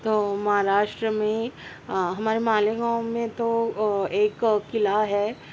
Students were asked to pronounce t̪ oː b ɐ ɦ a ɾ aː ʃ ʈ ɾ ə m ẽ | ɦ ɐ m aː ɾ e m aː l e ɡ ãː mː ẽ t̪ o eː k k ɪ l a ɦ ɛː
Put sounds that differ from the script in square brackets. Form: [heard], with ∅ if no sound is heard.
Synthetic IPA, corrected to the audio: t̪ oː [m] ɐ ɦ a ɾ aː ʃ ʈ ɾ ə m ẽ | ɦ ɐ m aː ɾ e m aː l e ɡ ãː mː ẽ t̪ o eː k k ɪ l a ɦ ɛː